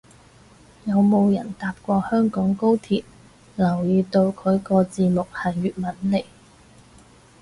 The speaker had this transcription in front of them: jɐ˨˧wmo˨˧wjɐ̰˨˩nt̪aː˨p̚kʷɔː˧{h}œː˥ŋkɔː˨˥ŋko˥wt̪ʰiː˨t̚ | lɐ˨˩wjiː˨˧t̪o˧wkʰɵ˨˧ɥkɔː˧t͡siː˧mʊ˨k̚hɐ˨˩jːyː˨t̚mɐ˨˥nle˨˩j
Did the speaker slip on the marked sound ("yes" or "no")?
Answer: no